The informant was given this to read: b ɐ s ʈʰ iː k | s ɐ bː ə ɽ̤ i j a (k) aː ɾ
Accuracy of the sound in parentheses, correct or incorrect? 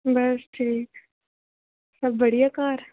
correct